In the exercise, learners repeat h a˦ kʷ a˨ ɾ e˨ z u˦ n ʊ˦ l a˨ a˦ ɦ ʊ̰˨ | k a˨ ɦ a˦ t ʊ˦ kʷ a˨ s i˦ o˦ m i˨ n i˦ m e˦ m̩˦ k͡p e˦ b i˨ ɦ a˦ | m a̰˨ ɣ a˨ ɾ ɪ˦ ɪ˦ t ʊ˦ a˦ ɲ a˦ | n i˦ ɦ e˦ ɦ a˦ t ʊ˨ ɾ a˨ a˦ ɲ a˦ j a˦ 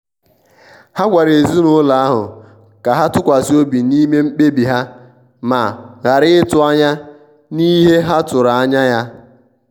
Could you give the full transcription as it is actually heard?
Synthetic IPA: h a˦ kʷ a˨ ɾ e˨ z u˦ n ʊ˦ l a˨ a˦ ɦ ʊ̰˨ | k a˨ ɦ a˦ t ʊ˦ kʷ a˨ s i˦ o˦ b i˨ n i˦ m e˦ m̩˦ k͡p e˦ b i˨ ɦ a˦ | m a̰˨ ɣ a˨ ɾ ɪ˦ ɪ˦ t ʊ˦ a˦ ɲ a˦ | n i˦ ɦ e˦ ɦ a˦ t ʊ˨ ɾ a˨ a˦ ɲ a˦ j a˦